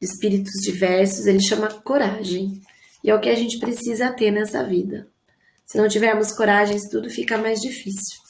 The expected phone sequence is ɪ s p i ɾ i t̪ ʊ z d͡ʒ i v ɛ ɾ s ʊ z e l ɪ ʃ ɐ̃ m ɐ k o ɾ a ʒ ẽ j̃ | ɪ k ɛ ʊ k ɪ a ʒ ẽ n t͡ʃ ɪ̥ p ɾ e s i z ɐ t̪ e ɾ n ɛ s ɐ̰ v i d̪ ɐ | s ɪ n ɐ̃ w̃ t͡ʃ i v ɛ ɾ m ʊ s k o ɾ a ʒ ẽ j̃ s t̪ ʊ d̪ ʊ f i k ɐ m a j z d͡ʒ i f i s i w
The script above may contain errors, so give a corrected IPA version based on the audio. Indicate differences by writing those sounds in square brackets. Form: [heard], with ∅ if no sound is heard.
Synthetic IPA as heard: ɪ s p i ɾ i t̪ ʊ z d͡ʒ i v ɛ ɾ s ʊ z e l ɪ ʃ ɐ̃ m ɐ k o ɾ a ʒ ẽ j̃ | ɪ [∅] ɛ ʊ k ɪ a ʒ ẽ n t͡ʃ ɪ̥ p ɾ e s i z ɐ t̪ e ɾ n ɛ s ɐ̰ v i d̪ ɐ | s ɪ n ɐ̃ w̃ t͡ʃ i v ɛ ɾ m ʊ s k o ɾ a ʒ ẽ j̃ s t̪ [u] d̪ ʊ f i k ɐ m a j z d͡ʒ i f i s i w